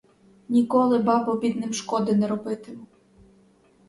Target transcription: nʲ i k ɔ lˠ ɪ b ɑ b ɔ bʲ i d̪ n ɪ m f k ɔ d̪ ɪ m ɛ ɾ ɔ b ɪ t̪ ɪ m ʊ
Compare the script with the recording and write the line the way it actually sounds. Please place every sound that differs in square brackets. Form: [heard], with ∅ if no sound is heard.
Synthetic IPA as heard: nʲ i k ɔ lˠ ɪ b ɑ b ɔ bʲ i d̪ n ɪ m [ʃ] k ɔ d̪ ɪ [n] ɛ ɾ ɔ b ɪ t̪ ɪ m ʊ